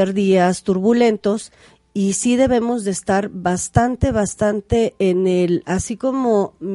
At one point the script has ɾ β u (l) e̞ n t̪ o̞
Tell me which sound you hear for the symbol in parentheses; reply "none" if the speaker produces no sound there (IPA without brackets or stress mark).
l